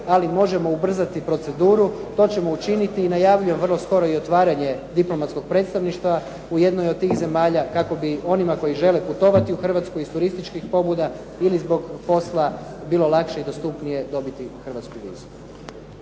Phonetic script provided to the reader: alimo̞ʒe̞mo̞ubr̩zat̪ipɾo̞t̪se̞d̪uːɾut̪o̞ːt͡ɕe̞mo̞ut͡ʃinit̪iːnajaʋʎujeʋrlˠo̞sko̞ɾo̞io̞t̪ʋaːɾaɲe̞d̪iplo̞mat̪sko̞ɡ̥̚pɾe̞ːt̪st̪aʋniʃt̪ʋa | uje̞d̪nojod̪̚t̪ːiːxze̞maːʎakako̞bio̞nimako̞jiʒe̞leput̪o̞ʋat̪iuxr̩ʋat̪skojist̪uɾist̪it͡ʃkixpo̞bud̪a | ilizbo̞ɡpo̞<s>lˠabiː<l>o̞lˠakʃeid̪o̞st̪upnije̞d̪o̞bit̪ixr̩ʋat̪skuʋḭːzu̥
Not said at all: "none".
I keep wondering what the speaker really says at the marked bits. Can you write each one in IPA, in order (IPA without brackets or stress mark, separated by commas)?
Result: s, l